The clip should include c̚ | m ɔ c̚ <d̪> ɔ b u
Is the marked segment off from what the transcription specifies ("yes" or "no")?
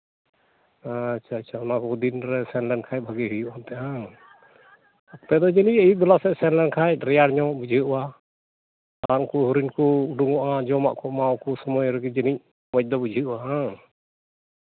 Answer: no